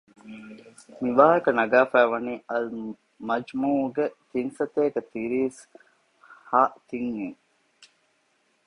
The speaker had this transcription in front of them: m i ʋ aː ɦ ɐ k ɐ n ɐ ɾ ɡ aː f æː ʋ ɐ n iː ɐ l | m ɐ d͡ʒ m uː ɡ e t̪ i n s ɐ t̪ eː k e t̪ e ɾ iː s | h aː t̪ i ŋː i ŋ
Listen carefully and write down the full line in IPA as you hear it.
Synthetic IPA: m i ʋ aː ɦ ɐ k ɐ n ɐ ɡ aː f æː ʋ ɐ n iː ɐ l | m ɐ d͡ʒ m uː ɡ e t̪ i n s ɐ t̪ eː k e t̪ i ɾ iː s | h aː t̪ i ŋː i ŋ